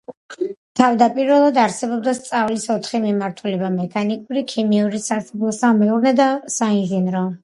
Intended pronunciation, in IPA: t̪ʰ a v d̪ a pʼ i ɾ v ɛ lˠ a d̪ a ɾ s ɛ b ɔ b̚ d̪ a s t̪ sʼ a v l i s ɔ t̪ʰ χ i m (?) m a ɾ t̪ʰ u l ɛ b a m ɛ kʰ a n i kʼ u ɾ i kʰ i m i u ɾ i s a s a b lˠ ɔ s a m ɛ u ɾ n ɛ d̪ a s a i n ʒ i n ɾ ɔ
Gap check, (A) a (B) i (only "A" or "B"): B